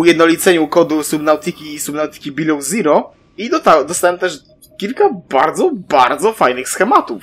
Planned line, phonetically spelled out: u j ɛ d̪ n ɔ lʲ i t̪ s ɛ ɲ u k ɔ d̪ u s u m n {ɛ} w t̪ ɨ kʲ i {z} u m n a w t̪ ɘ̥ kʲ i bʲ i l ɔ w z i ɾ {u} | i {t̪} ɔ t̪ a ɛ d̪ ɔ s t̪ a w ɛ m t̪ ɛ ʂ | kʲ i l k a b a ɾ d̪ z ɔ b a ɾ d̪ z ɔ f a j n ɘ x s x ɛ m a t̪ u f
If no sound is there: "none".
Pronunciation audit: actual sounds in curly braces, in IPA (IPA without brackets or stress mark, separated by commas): a, s, ɔ, d̪